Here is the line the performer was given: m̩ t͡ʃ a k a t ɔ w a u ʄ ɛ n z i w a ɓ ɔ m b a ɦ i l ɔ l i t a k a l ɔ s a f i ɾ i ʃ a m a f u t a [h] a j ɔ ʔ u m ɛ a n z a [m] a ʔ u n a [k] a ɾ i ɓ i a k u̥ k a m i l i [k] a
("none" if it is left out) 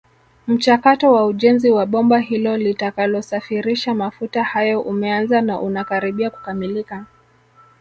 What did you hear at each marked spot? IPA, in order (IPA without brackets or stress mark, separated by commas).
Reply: h, n, k, k